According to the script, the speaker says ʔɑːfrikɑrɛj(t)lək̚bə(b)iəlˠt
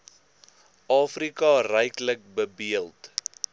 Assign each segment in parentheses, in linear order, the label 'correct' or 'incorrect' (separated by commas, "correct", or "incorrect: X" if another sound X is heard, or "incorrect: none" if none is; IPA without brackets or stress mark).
incorrect: k, correct